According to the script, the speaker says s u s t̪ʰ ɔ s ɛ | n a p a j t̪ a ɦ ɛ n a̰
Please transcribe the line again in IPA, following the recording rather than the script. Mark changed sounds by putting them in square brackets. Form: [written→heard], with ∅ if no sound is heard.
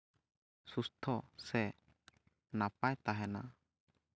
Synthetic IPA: s u s t̪ʰ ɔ s ɛ | n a p a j t̪ a ɦ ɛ n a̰